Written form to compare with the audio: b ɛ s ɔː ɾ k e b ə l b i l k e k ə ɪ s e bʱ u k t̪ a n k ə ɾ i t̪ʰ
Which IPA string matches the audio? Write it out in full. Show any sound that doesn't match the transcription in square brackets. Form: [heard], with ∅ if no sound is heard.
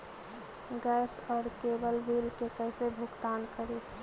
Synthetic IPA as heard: [ɡ] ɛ s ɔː ɾ k e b ə l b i l k e k ə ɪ s e bʱ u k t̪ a n k ə ɾ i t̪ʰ